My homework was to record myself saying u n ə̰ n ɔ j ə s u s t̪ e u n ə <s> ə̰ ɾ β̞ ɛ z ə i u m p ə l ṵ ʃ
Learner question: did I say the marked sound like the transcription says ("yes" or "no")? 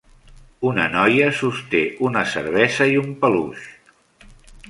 yes